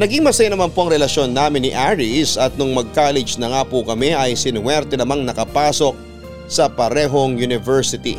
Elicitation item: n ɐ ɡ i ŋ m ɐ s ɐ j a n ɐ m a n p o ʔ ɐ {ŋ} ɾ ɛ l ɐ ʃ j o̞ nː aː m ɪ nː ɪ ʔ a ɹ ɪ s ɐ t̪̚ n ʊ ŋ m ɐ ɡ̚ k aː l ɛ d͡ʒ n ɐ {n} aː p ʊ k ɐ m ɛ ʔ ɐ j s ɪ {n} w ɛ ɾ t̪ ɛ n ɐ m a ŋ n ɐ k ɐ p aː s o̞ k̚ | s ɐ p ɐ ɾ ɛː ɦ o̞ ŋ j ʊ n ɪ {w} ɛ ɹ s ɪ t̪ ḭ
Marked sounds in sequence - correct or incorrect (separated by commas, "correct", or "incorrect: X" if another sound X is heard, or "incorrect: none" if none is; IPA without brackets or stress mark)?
correct, incorrect: ŋ, correct, incorrect: v